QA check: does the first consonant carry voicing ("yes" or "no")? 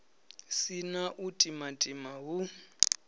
no